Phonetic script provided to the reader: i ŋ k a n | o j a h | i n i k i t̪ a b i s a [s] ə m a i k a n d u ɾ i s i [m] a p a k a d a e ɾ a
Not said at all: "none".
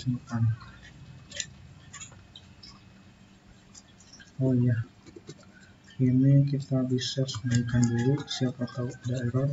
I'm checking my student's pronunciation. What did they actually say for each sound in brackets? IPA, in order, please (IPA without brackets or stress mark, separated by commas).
s, none